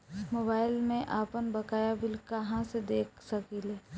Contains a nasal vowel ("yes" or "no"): yes